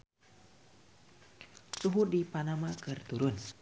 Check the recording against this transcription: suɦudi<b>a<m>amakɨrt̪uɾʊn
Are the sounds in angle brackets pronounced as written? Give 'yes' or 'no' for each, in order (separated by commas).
no, no